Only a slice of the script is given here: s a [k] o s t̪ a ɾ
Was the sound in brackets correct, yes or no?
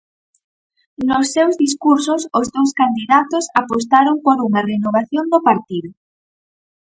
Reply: no